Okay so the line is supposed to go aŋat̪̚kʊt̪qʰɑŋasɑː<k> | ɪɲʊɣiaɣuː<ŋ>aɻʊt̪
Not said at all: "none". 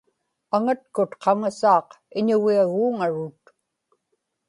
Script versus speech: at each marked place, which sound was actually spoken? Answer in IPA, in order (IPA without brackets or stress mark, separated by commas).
q, ŋ